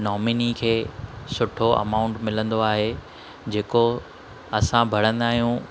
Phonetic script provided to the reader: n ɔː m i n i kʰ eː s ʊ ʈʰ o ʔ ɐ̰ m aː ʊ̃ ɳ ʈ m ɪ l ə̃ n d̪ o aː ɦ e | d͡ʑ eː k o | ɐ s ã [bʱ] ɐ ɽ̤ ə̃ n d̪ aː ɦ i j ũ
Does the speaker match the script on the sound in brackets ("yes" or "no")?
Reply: yes